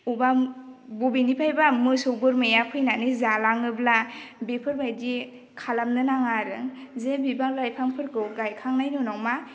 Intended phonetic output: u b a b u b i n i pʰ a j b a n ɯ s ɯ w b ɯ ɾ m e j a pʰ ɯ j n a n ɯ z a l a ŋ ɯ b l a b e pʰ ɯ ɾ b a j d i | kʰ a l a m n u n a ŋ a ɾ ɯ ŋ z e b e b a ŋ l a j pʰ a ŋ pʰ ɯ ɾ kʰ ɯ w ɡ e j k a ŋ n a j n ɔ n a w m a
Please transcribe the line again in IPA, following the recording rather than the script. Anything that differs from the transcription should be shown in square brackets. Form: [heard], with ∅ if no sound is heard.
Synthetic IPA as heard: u b a b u b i n i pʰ a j b a [m] ɯ s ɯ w b ɯ ɾ m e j a pʰ ɯ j n a n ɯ z a l a ŋ ɯ b l a b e pʰ ɯ ɾ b a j d i | kʰ a l a m n [ɯ] n a ŋ a ɾ ɯ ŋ z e b [i] b a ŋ l a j pʰ a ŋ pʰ ɯ ɾ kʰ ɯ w ɡ [a] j [kʰ] a ŋ n a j n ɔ n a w m a